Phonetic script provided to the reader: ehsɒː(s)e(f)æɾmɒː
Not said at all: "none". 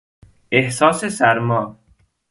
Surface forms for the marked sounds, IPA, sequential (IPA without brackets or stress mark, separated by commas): s, s